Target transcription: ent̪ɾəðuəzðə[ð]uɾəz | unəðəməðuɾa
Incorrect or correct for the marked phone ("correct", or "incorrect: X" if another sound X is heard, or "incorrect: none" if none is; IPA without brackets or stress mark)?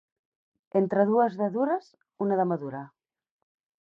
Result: correct